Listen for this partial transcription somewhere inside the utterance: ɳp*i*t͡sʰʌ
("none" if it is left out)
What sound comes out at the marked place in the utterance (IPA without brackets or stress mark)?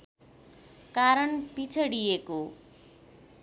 i